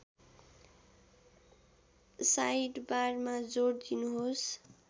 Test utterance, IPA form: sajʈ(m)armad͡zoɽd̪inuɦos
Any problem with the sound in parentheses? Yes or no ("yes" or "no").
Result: yes